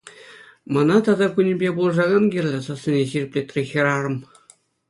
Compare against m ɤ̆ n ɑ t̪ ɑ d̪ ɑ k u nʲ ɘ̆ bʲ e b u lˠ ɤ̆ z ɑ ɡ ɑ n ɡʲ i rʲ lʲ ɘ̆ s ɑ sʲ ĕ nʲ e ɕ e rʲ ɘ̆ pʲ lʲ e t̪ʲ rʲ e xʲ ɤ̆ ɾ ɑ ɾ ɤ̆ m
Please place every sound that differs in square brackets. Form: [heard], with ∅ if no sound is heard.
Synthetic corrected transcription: m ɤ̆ n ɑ t̪ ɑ d̪ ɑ k u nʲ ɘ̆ bʲ e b u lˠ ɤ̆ [ʐ] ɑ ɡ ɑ n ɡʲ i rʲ lʲ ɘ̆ s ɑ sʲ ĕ nʲ e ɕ [i] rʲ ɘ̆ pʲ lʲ e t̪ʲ rʲ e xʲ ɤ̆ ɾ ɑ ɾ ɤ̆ m

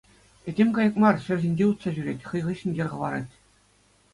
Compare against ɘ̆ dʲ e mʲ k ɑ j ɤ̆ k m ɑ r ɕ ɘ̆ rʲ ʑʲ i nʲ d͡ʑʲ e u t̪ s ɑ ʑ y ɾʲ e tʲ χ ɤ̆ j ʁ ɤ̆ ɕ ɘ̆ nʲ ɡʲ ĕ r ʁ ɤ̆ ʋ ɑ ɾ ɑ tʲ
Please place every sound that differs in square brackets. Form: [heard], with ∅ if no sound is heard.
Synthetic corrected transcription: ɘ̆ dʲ e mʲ k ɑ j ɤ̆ k m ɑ r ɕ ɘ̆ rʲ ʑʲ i nʲ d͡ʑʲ e u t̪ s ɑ ʑ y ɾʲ e tʲ χ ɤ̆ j ʁ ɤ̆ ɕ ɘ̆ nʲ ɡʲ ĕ r ʁ ɤ̆ ʋ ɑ ɾ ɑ tʲ

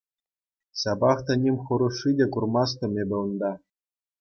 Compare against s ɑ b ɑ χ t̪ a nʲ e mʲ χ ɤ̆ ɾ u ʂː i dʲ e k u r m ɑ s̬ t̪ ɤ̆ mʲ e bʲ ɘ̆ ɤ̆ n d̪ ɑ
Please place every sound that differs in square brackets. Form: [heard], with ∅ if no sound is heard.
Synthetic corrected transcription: s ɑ b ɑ χ t̪ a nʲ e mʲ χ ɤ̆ ɾ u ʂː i dʲ e k u r m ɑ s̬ t̪ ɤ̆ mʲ e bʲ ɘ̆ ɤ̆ n d̪ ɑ

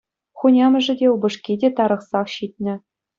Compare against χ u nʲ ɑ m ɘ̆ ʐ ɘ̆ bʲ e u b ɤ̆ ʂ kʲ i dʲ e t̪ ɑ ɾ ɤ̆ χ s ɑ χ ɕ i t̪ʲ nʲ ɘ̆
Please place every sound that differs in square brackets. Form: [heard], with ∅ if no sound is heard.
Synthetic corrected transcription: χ u nʲ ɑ m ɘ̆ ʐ ɘ̆ [dʲ] e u b ɤ̆ ʂ kʲ i dʲ e t̪ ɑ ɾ ɤ̆ χ s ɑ χ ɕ i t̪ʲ nʲ ɘ̆

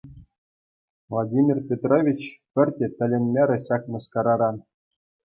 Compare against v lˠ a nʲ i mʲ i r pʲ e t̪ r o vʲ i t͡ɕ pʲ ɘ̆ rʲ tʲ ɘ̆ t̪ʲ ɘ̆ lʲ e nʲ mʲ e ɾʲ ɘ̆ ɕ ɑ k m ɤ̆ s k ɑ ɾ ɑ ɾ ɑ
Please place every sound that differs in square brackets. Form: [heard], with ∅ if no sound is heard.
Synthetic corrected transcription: v lˠ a [dʲ] i mʲ i r pʲ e t̪ r o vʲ i t͡ɕ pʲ ɘ̆ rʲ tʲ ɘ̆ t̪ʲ ɘ̆ lʲ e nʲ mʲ e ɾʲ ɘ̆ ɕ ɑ k m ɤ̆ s k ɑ ɾ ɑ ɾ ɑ

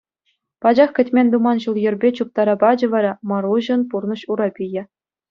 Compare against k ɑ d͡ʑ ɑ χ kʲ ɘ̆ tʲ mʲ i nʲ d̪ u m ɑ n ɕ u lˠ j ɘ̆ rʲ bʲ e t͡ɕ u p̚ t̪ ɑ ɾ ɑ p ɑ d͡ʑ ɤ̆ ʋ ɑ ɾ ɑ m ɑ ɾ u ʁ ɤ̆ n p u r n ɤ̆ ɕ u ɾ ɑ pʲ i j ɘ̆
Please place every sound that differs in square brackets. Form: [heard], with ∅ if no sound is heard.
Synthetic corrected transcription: [p] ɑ d͡ʑ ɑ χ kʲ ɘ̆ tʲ mʲ [e] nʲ d̪ u m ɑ n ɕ u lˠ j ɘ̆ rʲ bʲ e t͡ɕ u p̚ t̪ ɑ ɾ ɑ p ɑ d͡ʑ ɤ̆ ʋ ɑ ɾ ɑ m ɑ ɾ u [ʑ] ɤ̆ n p u r n ɤ̆ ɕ u ɾ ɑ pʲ i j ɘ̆

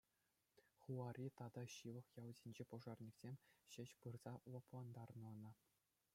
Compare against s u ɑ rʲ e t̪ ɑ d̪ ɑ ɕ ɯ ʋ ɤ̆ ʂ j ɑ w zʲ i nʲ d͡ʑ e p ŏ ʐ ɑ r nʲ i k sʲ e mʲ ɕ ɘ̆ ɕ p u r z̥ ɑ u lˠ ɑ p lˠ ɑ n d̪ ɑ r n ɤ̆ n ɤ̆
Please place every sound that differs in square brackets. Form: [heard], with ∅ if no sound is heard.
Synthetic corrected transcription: [χ] u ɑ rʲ [i] t̪ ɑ d̪ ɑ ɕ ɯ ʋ ɤ̆ [χ] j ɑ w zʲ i nʲ d͡ʑ e p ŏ ʐ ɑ r nʲ i k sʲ e mʲ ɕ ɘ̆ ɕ p [ɯ] r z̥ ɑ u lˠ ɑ p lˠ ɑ n d̪ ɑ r n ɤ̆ n ɤ̆

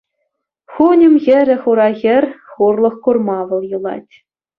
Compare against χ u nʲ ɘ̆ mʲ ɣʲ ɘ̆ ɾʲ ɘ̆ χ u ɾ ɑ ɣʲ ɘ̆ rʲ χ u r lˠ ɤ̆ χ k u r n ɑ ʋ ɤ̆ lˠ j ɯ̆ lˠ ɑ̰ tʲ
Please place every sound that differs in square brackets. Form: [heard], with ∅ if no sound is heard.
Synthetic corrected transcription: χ u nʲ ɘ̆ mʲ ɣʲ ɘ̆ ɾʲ ɘ̆ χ u ɾ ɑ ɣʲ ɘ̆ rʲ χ u r lˠ ɤ̆ χ k u r [m] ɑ ʋ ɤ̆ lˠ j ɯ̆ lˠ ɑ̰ tʲ

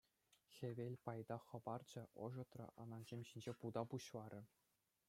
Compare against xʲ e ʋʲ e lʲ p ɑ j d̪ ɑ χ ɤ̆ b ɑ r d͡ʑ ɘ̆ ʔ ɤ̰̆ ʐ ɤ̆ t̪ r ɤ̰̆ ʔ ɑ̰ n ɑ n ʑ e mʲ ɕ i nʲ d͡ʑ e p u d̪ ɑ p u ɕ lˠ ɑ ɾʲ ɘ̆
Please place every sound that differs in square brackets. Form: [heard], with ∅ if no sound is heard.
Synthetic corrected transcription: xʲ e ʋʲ e lʲ p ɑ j d̪ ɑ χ ɤ̆ b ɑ r d͡ʑ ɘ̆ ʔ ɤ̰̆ ʐ ɤ̆ t̪ r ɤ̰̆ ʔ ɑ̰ n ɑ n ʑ e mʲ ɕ i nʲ d͡ʑ e p u d̪ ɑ p u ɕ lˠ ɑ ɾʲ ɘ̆

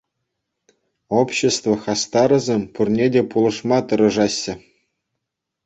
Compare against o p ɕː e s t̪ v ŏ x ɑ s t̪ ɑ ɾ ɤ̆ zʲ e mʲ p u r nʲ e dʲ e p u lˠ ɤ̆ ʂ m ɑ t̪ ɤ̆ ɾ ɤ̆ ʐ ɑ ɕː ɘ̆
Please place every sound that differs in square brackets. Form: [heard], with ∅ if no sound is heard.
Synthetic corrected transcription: o p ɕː e s t̪ v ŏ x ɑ s t̪ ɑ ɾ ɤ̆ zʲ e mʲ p u r nʲ e dʲ e p u lˠ ɤ̆ ʂ m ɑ t̪ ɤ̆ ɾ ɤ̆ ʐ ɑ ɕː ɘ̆

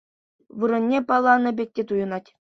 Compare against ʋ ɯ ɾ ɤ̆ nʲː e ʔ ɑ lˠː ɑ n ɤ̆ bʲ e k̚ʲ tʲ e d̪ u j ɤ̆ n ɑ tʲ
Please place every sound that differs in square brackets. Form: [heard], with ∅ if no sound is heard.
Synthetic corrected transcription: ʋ ɯ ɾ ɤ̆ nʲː e [p] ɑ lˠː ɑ n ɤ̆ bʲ e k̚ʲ tʲ e [t̪] u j ɤ̆ n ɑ tʲ

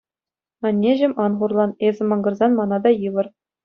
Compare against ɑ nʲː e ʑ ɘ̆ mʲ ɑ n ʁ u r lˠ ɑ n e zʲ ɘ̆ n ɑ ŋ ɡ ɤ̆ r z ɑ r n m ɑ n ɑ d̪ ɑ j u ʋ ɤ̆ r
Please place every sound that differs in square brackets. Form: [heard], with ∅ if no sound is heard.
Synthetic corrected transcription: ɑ nʲː e ʑ ɘ̆ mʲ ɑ n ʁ u r lˠ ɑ n e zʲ ɘ̆ [m] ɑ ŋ ɡ ɤ̆ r z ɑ [∅] n m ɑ n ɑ d̪ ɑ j [ɯ] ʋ ɤ̆ r

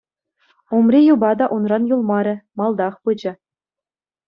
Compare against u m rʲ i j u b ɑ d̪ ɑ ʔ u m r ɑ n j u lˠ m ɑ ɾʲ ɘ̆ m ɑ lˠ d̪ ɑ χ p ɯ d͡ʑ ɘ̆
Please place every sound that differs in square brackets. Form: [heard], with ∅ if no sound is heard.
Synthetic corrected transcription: u m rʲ i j u b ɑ d̪ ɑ ʔ u [n] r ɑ n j u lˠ m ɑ ɾʲ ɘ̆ m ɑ lˠ d̪ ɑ χ p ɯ d͡ʑ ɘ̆

